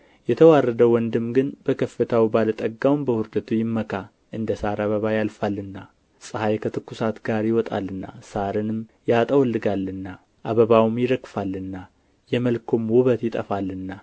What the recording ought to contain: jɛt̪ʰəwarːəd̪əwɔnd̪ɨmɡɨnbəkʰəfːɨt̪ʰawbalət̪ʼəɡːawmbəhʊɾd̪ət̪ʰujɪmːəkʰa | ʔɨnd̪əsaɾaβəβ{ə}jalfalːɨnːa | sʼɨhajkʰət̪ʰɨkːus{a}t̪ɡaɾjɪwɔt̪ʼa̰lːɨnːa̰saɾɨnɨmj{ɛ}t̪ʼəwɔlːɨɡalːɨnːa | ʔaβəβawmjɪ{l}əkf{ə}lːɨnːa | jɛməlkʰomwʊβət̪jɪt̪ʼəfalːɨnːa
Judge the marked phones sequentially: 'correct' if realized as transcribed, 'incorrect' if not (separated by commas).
incorrect, correct, incorrect, incorrect, incorrect